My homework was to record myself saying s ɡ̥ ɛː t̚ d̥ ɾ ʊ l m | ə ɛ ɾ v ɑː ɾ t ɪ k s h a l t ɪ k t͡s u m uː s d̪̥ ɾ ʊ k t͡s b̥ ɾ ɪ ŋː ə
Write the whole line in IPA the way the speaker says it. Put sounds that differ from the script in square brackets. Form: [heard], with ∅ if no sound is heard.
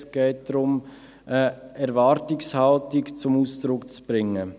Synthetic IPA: s ɡ̥ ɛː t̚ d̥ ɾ ʊ [∅] m | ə ɛ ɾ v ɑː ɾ t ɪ k s h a l t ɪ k t͡s [ʊ] m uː s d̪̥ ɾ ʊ k t͡s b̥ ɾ ɪ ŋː ə